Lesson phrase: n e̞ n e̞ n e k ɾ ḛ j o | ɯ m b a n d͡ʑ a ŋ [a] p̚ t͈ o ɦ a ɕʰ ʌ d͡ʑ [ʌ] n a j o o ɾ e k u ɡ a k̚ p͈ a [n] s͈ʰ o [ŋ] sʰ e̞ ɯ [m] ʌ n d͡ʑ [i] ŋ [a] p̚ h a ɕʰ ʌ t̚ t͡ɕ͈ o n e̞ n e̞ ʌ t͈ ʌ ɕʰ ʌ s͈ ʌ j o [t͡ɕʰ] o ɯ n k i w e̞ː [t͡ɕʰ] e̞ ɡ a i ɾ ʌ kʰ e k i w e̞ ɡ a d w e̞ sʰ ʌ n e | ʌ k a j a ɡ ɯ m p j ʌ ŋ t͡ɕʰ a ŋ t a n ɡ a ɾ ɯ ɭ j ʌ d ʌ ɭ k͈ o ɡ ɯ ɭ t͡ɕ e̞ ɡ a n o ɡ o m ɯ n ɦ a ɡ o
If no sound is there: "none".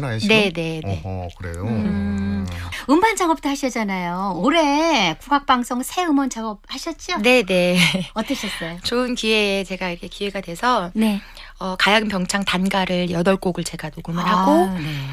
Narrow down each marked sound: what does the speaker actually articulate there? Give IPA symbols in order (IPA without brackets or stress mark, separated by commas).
ʌ, a, ŋ, ŋ, m, a, ʌ, t͡ɕ, t͡ɕ